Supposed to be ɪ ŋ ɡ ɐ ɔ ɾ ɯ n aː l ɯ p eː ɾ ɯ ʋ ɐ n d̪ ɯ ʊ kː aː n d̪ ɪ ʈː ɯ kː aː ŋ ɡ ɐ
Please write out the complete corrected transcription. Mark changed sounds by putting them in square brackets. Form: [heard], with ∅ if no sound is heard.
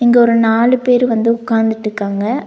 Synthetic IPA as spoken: ɪ ŋ ɡ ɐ ɔ ɾ ɯ n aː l ɯ p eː ɾ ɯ ʋ ɐ n d̪ ɯ ʊ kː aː n d̪ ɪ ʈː ɯ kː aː ŋ ɡ ɐ